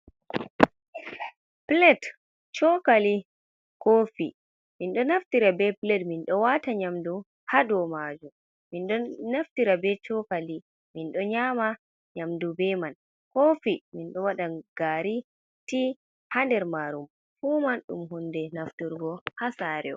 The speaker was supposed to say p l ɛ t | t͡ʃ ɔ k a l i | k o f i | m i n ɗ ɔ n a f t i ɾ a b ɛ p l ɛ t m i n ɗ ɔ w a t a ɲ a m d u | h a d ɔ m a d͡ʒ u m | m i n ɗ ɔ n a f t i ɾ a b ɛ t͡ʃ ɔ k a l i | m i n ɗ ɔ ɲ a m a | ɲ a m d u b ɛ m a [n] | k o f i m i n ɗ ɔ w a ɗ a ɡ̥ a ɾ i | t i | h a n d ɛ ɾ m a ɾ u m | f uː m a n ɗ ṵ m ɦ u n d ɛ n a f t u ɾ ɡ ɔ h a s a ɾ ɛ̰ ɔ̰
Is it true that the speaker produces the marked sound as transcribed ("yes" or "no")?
yes